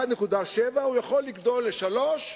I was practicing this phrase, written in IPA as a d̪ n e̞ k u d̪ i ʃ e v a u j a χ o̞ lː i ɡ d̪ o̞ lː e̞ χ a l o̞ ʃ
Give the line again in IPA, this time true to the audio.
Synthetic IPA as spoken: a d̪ n e̞ k u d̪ a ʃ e v a u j a χ o̞ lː i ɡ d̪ o̞ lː e̞ ʃ a l o̞ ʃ